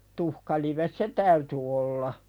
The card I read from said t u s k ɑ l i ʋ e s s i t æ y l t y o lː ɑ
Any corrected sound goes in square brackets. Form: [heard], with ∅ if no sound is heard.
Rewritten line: t u [h] k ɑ l i ʋ e s s [e] t æ y [∅] t y o lː ɑ